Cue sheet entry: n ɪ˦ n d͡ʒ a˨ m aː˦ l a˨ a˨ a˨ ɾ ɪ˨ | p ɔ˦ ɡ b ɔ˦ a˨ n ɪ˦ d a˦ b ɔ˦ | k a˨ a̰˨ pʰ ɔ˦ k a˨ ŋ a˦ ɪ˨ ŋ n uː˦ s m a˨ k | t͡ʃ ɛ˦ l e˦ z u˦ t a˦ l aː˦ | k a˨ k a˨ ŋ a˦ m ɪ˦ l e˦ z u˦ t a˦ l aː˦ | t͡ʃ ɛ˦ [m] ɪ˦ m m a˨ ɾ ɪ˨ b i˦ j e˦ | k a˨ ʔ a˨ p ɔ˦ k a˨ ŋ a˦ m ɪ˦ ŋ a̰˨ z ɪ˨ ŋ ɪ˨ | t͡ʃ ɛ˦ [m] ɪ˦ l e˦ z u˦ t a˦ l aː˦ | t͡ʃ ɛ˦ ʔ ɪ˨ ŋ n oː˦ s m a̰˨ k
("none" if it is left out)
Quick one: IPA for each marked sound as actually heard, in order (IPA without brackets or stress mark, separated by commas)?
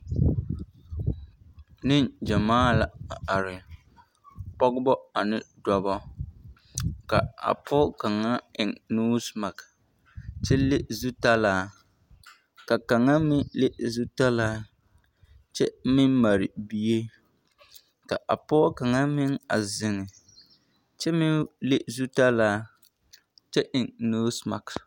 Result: m, m